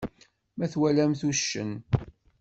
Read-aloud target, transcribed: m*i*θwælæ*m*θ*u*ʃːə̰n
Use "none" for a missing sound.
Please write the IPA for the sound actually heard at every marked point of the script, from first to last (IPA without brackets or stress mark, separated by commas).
æ, m, u